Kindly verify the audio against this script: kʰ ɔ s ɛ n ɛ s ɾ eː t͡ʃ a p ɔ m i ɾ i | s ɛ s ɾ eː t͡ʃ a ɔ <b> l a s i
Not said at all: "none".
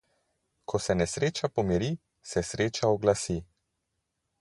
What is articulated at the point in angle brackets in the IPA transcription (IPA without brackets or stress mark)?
ɡ